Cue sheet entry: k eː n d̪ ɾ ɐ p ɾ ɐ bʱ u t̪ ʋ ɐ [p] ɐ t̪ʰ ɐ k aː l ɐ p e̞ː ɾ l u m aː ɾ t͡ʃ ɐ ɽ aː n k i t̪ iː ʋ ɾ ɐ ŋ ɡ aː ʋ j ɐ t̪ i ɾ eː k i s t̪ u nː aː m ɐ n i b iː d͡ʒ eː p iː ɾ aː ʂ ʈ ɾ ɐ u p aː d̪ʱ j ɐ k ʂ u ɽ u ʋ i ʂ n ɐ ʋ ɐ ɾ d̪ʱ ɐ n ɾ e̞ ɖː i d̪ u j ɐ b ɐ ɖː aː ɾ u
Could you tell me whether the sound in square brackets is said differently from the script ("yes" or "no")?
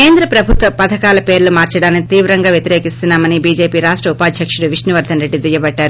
no